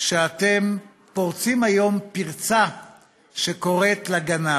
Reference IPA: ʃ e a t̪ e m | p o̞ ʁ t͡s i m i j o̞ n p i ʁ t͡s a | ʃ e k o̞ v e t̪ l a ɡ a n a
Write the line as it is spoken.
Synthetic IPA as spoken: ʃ e a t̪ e m | p o̞ ʁ t͡s i m a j o̞ m p i ʁ t͡s a | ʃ e k o̞ ʁ e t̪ l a ɡ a n a